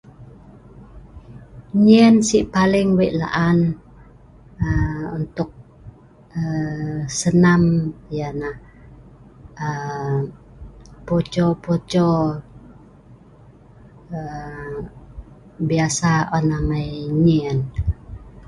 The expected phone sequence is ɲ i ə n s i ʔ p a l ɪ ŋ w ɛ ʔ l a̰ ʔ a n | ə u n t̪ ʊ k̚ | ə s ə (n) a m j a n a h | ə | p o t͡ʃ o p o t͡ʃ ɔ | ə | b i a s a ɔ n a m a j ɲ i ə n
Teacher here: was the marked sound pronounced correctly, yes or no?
yes